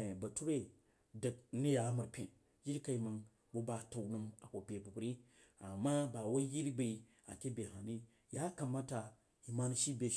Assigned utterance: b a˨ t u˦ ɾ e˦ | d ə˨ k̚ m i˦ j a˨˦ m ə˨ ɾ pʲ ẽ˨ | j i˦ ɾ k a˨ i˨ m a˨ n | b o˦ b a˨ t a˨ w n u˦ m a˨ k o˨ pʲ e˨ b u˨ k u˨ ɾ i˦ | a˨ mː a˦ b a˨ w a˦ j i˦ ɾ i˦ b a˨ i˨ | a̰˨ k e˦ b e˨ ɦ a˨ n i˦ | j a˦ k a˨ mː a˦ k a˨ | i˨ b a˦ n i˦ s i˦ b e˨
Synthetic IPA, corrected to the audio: b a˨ t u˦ ɾ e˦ | d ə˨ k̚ n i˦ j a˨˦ m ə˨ ɾ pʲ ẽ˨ | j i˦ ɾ k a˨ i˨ m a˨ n | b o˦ b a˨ t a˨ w n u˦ m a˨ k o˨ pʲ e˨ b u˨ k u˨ ɾ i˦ | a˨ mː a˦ b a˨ w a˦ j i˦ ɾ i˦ b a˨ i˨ | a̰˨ k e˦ b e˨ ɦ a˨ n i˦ | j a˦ k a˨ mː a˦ t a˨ | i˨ m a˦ n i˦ ʃ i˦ b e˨